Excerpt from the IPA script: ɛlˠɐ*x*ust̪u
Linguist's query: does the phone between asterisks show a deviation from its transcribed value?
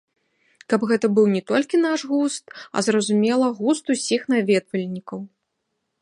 yes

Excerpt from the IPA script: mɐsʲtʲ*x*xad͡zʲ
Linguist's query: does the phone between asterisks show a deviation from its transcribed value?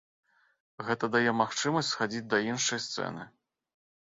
yes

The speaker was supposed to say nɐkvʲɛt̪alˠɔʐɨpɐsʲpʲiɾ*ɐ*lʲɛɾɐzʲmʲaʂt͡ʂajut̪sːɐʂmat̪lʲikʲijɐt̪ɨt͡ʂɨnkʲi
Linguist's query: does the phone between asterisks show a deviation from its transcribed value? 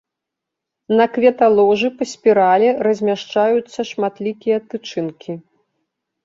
yes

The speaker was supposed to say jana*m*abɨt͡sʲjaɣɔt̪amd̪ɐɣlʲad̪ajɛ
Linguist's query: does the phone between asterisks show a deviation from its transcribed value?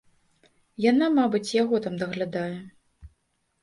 no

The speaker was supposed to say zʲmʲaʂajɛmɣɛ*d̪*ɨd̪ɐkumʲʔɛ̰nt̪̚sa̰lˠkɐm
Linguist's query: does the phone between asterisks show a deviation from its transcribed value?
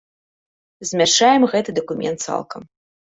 yes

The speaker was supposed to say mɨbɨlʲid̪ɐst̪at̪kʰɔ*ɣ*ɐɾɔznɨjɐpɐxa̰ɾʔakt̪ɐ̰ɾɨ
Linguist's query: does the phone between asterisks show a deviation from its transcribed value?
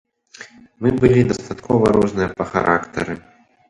yes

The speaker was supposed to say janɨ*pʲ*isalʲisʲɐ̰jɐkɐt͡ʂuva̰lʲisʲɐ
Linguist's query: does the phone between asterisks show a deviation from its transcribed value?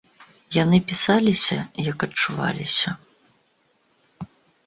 no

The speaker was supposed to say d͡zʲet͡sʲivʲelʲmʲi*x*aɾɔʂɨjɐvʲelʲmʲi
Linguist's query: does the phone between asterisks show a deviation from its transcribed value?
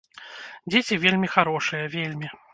no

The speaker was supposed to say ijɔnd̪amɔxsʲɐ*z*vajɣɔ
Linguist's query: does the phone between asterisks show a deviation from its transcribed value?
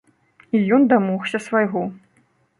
yes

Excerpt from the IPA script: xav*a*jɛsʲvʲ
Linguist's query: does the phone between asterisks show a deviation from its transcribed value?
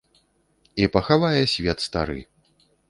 no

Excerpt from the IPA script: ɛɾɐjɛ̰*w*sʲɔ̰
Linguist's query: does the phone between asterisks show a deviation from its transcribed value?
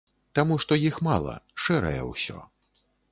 no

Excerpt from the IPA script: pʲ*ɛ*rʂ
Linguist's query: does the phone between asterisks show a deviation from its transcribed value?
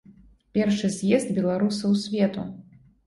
no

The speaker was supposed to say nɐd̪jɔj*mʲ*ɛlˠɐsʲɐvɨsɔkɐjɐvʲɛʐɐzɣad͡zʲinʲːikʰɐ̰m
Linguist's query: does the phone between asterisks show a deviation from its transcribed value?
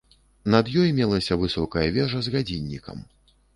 no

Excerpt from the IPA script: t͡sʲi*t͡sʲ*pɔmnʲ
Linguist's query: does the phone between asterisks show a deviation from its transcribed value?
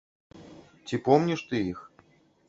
yes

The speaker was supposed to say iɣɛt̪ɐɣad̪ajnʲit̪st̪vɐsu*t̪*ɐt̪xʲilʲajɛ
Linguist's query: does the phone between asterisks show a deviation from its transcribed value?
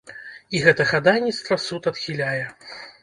no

